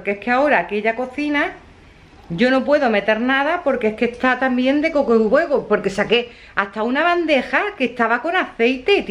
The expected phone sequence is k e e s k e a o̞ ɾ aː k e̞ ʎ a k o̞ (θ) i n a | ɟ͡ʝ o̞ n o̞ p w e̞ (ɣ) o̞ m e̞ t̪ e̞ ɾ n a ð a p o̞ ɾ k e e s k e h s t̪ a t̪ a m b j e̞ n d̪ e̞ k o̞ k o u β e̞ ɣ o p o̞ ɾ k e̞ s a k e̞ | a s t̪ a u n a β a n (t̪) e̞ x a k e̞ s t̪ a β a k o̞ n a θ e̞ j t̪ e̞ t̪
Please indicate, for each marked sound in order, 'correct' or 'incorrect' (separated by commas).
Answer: correct, incorrect, incorrect